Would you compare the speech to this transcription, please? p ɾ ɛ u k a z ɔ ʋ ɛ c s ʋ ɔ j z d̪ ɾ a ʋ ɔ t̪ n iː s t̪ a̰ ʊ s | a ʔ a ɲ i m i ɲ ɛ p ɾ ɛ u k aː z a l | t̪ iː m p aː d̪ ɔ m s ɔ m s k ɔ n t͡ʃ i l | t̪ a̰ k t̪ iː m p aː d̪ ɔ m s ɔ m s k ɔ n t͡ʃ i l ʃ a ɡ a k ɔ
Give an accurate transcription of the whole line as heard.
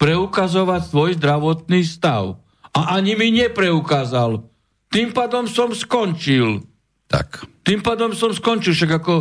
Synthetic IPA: p ɾ ɛ u k a z ɔ ʋ a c s ʋ ɔ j z d̪ ɾ a ʋ ɔ t̪ n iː s t̪ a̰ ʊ | a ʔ a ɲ i m i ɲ ɛ p ɾ ɛ u k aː z a l | t̪ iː m p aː d̪ ɔ m s ɔ m s k ɔ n t͡ʃ i l | t̪ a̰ k t̪ iː m p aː d̪ ɔ m s ɔ m s k ɔ n t͡ʃ i l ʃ a ɡ a k ɔ